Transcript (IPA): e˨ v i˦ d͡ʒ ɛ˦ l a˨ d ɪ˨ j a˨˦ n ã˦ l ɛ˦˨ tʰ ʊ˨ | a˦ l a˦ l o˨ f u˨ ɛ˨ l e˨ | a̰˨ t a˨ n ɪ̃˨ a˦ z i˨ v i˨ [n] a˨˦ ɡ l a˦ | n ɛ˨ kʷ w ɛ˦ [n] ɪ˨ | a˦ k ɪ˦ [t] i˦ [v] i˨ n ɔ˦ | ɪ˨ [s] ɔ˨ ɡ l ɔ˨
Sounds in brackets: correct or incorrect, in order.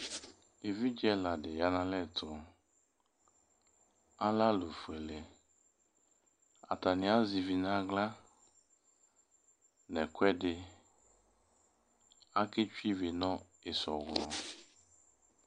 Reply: correct, incorrect, incorrect, correct, correct

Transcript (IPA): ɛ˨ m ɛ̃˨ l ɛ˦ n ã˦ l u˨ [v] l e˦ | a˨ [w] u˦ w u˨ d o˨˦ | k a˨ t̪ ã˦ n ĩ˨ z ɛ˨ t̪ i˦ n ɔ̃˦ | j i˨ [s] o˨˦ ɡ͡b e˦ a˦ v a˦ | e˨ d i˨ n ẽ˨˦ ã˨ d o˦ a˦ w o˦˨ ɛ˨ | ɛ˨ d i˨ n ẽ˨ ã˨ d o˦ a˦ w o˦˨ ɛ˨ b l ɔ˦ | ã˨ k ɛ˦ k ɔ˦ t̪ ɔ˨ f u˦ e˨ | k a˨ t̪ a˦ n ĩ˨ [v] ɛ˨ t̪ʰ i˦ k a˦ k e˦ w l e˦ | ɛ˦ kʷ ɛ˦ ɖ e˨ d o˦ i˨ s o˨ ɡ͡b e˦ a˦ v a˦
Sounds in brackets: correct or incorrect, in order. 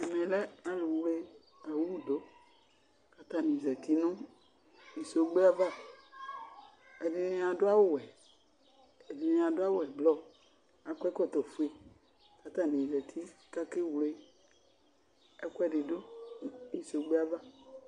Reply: incorrect, correct, correct, incorrect

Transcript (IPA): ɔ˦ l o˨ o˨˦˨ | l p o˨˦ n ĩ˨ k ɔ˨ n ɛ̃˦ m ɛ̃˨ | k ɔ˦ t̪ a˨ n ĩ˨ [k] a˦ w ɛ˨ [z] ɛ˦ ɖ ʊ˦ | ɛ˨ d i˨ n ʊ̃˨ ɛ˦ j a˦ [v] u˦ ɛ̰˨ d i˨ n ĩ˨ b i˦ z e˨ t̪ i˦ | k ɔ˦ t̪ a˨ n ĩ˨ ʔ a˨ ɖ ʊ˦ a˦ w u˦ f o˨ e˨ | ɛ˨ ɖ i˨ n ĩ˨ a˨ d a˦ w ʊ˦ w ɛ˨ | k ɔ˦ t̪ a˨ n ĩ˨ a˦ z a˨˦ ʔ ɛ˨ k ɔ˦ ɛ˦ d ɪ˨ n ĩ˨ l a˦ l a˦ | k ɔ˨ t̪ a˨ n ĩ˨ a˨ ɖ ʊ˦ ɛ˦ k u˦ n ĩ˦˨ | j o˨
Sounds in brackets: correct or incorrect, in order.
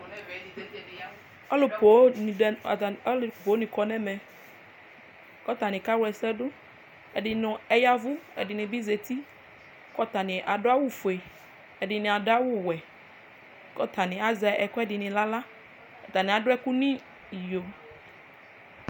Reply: correct, incorrect, correct

